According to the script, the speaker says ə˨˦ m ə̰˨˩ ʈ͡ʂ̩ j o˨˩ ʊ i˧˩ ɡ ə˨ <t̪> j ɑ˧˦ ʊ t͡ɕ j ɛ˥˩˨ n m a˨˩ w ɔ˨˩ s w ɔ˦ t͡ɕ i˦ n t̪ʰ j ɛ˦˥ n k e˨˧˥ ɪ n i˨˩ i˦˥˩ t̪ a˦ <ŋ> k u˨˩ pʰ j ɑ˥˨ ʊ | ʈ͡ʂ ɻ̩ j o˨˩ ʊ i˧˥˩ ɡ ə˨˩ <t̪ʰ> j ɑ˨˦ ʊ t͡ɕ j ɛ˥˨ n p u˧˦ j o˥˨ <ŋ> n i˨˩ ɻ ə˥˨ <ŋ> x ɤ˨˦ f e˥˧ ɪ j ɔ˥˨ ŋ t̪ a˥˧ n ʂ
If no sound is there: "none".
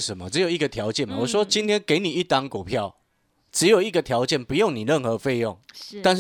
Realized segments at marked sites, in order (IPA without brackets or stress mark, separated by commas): t̪ʰ, ŋ, t̪ʰ, ŋ, n